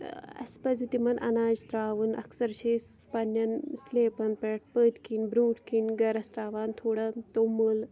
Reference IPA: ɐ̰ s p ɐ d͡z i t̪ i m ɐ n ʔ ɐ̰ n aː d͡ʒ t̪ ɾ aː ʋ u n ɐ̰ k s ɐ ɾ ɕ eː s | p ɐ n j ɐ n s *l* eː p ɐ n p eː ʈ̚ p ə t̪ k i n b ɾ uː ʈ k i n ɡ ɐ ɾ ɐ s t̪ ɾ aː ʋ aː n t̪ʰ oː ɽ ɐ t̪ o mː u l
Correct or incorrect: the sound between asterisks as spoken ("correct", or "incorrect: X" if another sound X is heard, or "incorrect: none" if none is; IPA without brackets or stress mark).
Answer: correct